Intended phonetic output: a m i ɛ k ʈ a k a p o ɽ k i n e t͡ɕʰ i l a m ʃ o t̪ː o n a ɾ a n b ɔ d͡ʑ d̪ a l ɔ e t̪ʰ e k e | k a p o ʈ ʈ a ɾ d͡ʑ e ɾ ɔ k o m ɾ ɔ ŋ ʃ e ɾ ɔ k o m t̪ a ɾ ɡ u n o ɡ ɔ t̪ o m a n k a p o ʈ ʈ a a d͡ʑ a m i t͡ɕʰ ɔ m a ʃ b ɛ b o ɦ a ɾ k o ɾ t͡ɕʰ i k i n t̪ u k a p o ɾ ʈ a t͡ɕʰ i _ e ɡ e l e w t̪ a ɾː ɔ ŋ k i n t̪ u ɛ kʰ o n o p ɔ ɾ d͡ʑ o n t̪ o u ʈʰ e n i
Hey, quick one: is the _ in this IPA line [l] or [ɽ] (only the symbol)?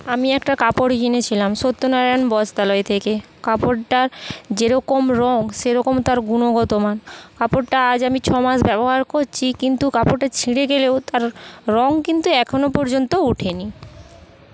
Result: ɽ